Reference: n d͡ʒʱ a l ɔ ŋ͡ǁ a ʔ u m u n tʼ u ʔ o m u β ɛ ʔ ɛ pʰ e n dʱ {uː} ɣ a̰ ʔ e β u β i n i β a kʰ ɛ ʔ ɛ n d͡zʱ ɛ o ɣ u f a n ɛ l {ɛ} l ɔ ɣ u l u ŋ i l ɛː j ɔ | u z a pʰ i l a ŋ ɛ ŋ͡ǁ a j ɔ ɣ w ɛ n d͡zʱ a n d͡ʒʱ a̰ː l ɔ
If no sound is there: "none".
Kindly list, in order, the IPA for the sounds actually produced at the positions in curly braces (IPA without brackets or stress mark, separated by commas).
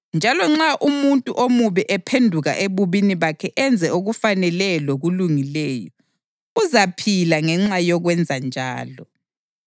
u, ɛ